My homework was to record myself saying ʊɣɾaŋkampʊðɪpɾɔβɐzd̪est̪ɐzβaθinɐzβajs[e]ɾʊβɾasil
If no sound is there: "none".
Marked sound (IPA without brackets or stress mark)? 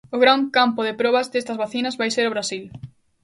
e